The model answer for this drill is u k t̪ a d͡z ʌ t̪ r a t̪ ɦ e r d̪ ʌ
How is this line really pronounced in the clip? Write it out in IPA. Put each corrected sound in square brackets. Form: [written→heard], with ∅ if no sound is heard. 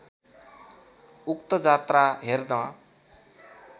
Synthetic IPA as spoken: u k t̪ [a→ʌ] d͡z [ʌ→a] t̪ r a [t̪→∅] ɦ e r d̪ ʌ